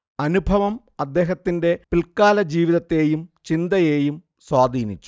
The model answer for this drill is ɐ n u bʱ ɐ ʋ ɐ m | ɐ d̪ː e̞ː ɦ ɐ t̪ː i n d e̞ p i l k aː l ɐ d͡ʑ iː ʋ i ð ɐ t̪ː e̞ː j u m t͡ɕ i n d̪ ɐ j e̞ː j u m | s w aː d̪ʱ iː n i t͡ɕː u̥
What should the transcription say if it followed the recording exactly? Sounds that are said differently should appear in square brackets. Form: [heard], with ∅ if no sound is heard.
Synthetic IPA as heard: ɐ n u bʱ ɐ ʋ ɐ m | ɐ d̪ː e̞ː ɦ ɐ t̪ː i n d e̞ p i l k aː l ɐ d͡ʑ iː ʋ i ð ɐ t̪ː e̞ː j u m t͡ɕ i n d̪ ɐ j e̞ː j u m | s w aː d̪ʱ iː n i t͡ɕː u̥